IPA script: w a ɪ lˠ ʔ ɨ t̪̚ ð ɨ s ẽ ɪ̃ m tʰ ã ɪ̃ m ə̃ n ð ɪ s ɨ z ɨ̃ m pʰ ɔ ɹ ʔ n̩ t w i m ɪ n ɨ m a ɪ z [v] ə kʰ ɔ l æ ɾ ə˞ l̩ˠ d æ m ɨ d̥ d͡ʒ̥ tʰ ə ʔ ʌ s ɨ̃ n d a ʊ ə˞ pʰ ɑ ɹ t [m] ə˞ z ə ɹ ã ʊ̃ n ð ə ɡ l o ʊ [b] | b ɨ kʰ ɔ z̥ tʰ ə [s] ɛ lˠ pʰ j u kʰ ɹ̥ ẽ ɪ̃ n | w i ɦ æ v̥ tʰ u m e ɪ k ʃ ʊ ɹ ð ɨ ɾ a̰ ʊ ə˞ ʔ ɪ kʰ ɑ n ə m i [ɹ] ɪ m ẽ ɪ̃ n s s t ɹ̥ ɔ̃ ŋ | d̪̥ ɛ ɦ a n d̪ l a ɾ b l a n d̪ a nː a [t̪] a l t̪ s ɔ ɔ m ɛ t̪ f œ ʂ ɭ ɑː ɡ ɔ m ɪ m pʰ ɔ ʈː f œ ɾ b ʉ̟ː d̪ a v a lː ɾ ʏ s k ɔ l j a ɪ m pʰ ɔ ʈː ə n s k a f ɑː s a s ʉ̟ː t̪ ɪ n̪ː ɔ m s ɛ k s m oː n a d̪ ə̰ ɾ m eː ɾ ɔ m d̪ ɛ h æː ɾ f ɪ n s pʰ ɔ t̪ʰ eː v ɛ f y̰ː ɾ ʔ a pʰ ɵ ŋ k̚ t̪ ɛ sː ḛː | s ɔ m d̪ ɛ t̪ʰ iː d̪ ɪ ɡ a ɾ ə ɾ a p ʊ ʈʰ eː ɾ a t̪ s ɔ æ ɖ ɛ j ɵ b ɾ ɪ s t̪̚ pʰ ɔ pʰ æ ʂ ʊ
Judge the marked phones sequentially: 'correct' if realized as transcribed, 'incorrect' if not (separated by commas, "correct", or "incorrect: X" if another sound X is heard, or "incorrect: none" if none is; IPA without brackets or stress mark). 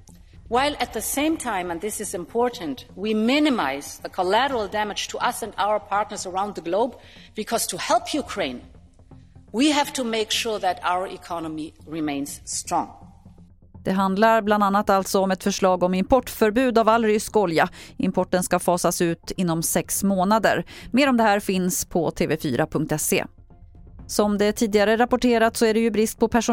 incorrect: ð, incorrect: n, correct, incorrect: h, correct, correct